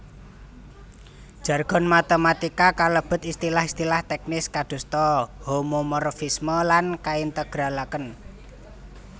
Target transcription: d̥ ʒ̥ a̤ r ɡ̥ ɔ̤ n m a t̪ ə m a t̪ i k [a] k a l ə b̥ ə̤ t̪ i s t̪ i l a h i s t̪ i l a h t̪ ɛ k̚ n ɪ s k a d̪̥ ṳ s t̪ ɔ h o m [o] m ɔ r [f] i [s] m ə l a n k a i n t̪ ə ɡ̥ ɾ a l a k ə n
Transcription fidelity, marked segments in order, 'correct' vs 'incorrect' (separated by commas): correct, correct, correct, correct